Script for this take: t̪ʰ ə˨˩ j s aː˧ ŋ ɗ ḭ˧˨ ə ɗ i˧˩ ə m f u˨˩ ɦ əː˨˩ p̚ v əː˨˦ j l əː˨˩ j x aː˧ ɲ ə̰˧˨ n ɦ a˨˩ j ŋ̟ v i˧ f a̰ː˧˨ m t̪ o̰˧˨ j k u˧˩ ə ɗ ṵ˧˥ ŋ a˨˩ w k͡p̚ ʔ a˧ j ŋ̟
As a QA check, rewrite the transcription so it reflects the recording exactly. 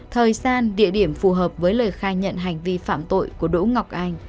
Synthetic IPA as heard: t̪ʰ əː˨˩ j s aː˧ n ɗ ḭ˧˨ ə ɗ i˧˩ ə m f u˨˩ ɦ əː˨˩ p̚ v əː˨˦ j l əː˨˩ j x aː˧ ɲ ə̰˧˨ n ɦ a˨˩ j ŋ̟ v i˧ f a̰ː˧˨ m t̪ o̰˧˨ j k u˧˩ ə ɗ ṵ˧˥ ŋ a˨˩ w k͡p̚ ʔ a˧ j ŋ̟